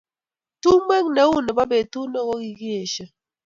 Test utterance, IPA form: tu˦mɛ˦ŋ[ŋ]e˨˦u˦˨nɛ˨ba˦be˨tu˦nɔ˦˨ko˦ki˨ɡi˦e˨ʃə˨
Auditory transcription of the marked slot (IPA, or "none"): n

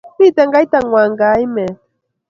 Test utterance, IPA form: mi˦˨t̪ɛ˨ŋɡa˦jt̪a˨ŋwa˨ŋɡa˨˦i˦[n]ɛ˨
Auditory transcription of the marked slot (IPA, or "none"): m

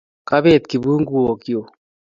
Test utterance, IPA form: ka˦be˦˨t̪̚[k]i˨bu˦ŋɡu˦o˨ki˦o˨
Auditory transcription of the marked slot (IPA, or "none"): k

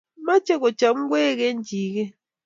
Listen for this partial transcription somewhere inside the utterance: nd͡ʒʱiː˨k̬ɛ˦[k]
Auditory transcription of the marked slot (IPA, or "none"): none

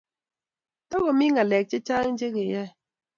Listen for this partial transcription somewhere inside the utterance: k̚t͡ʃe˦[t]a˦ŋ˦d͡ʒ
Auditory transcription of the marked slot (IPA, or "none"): t͡ʃ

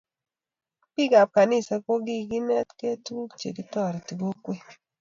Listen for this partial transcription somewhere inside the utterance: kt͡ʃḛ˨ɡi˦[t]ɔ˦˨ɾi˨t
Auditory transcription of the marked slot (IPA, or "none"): t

